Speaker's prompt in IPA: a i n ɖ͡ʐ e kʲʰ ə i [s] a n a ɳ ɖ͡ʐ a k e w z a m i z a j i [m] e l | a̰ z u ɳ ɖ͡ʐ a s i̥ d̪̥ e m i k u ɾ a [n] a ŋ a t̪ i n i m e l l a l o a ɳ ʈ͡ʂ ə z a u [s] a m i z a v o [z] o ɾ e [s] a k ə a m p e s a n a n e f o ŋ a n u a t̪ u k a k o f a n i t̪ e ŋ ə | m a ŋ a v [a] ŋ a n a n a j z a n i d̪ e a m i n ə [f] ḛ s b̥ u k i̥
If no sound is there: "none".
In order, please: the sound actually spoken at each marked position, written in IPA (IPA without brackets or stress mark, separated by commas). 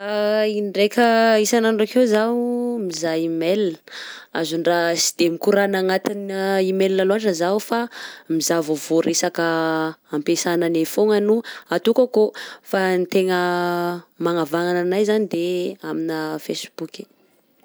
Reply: s, m, n, f, v, s, a, f